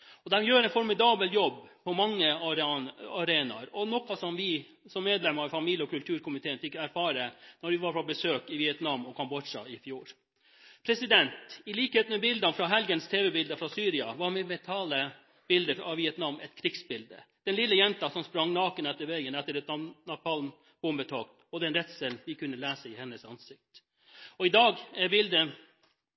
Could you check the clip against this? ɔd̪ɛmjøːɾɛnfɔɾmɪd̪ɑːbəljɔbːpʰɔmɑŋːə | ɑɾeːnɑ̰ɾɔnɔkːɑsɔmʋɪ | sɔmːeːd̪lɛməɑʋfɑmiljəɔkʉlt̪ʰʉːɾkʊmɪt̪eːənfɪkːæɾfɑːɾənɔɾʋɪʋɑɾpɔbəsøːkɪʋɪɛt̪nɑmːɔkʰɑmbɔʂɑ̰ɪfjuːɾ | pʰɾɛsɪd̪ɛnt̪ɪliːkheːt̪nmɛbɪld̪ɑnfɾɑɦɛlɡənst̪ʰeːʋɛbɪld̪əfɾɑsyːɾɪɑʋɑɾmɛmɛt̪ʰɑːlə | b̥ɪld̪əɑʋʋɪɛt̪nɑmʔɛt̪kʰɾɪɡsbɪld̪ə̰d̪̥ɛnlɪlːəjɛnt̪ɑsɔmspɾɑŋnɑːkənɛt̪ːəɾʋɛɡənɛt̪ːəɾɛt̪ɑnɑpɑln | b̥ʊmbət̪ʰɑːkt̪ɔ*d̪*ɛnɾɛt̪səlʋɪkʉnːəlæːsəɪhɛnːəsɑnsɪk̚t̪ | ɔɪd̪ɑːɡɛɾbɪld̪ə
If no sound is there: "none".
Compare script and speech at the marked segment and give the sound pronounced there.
d̪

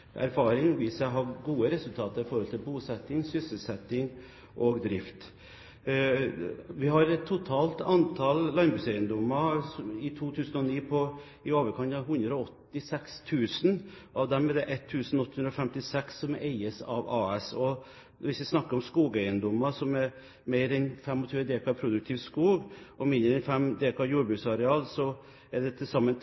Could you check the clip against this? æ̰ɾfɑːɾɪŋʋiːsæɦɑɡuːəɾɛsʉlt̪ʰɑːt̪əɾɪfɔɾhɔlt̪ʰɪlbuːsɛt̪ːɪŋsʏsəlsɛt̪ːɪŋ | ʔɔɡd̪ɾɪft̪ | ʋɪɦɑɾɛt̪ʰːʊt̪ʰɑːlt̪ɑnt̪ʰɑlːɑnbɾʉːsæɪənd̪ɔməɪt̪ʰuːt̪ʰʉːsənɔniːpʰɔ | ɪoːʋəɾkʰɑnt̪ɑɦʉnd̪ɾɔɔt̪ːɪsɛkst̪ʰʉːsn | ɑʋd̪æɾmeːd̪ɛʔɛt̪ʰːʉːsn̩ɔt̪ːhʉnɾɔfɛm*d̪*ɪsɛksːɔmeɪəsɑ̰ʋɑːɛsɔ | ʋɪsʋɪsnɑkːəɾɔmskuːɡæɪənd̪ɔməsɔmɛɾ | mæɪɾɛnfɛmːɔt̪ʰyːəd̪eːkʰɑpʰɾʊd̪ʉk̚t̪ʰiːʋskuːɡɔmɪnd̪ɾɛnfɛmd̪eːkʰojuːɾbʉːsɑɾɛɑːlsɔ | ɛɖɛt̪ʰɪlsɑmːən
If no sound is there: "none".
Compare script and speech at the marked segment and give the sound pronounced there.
t̪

